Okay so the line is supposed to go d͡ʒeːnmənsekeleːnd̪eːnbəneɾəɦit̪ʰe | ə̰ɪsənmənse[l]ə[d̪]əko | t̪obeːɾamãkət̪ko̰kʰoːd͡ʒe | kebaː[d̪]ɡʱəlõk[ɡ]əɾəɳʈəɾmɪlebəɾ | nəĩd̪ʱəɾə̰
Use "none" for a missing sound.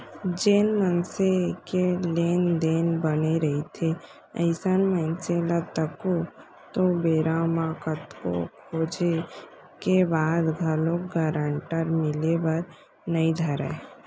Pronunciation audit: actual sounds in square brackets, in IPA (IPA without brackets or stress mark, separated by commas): l, t̪, d̪, ɡ